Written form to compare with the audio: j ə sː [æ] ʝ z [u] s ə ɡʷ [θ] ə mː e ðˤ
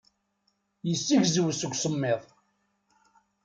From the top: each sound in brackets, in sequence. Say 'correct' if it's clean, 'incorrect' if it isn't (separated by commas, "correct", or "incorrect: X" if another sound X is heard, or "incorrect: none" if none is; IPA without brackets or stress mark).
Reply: incorrect: i, incorrect: w, incorrect: s